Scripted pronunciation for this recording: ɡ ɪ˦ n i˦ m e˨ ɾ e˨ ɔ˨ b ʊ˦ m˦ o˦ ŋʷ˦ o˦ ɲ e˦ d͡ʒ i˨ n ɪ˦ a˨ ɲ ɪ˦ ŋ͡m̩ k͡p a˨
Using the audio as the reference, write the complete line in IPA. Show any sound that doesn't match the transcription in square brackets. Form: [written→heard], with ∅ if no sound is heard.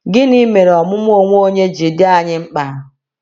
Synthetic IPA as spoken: ɡ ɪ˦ n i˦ m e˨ ɾ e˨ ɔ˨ [b→m] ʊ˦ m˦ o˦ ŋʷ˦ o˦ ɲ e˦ d͡ʒ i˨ [n→d] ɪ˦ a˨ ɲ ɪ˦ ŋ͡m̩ k͡p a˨